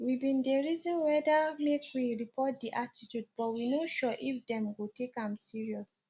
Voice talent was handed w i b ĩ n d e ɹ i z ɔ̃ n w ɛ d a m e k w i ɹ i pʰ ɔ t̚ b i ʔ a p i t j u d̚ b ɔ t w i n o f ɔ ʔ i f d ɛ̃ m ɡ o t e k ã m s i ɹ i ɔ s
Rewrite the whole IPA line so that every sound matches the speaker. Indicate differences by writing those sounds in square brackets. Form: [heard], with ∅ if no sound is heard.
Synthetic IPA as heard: w i b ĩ n d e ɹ i z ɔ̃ n w ɛ d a m e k w i ɹ i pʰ ɔ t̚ [d] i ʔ a [t] i t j u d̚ b ɔ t w i n o [ʃ] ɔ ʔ i f d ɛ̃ m ɡ o t e k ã m s i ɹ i ɔ s